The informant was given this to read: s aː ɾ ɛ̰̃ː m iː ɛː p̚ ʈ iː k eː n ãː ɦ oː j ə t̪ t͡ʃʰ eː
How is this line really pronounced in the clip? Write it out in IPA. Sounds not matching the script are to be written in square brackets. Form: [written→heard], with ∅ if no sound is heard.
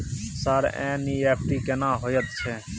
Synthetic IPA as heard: s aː ɾ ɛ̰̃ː [m→n] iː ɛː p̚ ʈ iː k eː n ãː ɦ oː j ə t̪ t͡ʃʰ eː